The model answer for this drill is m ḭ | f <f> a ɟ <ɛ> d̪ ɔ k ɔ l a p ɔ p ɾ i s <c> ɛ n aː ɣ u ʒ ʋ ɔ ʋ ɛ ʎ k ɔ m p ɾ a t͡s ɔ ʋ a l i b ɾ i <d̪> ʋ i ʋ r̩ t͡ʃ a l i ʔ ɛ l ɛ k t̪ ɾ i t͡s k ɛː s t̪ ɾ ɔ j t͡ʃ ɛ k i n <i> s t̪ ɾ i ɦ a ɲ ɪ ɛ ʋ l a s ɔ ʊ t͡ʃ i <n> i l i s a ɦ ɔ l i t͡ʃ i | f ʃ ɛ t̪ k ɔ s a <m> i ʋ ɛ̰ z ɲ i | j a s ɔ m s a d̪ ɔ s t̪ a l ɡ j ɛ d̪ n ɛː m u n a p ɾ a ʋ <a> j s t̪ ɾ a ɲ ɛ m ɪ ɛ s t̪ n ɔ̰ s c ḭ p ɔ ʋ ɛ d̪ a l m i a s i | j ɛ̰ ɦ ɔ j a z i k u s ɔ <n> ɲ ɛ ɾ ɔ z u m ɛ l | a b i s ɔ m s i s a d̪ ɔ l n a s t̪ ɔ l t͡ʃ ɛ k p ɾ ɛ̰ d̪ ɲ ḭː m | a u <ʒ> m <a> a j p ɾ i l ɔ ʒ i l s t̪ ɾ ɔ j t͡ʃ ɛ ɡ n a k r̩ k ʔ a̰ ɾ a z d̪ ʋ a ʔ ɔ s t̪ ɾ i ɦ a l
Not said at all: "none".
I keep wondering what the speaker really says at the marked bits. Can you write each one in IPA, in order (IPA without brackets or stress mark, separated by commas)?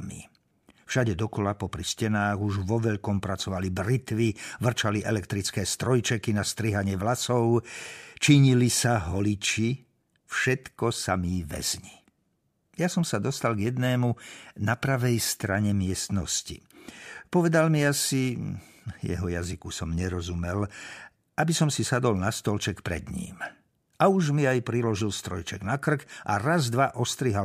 ʃ, ɛ, c, t̪, a, ɲ, m, ɛ, m, ʒ, i